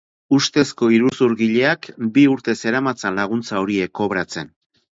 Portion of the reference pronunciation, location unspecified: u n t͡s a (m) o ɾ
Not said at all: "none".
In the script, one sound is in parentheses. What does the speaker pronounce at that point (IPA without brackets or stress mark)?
none